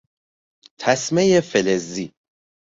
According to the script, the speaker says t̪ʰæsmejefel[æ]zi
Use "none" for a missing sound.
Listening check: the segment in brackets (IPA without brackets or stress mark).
e